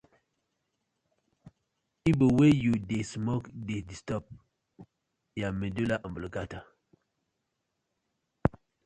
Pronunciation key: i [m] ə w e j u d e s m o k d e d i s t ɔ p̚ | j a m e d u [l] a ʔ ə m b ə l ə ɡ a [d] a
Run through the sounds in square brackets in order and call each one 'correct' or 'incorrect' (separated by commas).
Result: incorrect, correct, incorrect